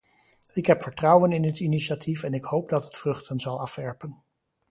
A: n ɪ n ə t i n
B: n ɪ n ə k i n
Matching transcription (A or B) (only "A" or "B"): A